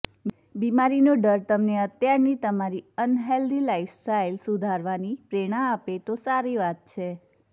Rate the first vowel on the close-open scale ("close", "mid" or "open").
close